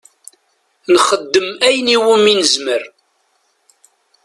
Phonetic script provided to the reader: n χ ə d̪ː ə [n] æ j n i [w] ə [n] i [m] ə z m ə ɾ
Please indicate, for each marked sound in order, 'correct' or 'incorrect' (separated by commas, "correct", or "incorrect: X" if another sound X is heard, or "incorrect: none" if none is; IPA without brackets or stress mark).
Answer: incorrect: m, correct, incorrect: m, incorrect: n